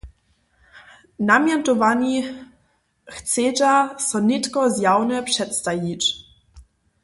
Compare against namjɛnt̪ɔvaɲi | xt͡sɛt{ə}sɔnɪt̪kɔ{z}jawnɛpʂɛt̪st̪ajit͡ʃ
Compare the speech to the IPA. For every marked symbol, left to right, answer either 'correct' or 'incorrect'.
incorrect: a, correct

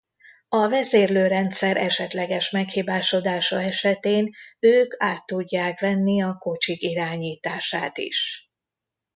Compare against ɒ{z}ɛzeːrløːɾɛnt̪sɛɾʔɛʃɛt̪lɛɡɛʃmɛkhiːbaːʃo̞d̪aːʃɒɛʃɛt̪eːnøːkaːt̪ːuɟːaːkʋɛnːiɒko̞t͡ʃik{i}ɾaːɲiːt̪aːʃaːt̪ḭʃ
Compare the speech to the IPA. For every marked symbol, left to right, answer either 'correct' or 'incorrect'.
incorrect: v, correct

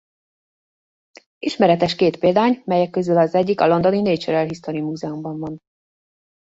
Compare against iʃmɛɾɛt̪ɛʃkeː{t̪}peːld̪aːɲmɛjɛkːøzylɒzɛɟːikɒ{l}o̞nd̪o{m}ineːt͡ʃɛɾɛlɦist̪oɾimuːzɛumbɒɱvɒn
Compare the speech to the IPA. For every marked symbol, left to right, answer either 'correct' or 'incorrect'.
correct, correct, incorrect: n

